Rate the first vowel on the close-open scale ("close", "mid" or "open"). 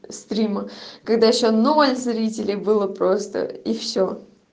close